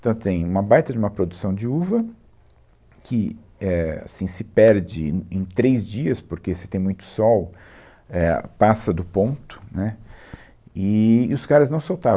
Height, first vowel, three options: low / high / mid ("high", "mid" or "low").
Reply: low